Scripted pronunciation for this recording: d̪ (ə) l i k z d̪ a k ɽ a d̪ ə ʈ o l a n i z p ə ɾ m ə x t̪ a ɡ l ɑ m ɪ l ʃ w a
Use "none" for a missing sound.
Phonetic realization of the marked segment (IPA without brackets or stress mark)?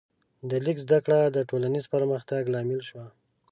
ə